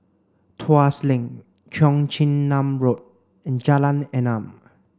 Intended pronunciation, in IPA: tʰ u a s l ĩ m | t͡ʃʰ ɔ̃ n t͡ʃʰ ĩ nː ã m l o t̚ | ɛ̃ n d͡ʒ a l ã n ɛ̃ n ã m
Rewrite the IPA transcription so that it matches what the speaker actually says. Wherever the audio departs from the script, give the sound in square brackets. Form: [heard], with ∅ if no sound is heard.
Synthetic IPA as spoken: tʰ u a s l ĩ [ŋ] | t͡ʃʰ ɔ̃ [ŋ] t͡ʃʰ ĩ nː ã m [ɹ] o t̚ | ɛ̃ n d͡ʒ a l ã n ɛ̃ n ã m